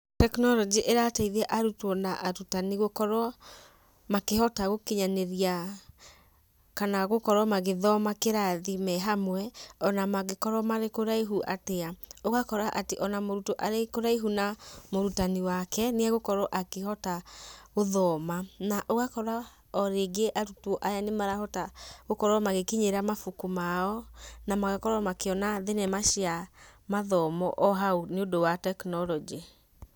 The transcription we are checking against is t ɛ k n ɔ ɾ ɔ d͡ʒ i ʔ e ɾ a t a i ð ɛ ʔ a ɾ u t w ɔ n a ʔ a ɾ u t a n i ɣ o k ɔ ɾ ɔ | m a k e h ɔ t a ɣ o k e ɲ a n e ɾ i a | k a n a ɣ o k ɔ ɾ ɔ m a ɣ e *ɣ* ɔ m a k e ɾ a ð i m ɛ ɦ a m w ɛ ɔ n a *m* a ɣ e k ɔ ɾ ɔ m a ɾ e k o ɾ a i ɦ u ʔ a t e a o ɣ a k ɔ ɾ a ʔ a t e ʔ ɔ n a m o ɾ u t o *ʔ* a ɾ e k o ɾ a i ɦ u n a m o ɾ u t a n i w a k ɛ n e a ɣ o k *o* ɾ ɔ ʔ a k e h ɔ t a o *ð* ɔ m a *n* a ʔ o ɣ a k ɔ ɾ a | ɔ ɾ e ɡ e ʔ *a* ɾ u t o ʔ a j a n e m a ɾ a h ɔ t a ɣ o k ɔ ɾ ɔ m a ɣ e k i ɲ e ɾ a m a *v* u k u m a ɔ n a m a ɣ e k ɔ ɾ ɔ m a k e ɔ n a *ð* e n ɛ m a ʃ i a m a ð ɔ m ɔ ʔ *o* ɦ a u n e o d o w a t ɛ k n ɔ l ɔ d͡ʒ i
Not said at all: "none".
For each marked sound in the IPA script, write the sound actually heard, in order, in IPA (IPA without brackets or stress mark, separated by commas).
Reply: ð, m, ʔ, ɔ, ð, n, a, f, ð, ɔ